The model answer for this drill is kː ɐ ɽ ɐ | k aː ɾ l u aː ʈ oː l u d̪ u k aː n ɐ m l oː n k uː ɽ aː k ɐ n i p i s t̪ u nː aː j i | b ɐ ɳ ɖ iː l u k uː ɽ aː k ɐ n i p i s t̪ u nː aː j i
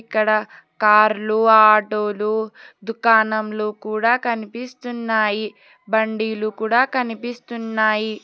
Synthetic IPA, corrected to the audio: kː ɐ ɽ ɐ | k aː ɾ l u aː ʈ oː l u d̪ u k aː n ɐ m l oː k uː ɽ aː k ɐ n i p i s t̪ u nː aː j i | b ɐ ɳ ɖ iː l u k uː ɽ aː k ɐ n i p i s t̪ u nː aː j i